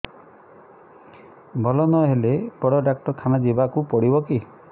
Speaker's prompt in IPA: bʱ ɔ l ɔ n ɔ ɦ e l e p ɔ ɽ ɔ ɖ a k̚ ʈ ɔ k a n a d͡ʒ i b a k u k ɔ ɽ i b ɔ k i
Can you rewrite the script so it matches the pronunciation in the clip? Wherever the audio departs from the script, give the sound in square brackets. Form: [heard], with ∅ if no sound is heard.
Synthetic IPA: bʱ ɔ l ɔ n ɔ ɦ e l e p ɔ ɽ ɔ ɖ a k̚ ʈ ɔ [kʰ] a n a d͡ʒ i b a k u [p] ɔ ɽ i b ɔ k i